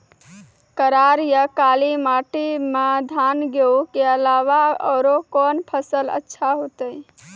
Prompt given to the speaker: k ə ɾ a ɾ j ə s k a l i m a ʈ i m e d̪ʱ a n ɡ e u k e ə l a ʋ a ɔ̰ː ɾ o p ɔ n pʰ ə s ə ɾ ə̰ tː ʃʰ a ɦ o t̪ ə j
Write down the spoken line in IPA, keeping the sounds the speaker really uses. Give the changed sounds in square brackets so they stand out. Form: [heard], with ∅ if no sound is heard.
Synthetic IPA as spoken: k ə ɾ a ɾ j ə [∅] k a l i m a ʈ i m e d̪ʱ a n ɡ e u k e ə l a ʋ a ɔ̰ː ɾ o [k] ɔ n pʰ ə s ə [l] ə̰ tː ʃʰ a ɦ o t̪ ə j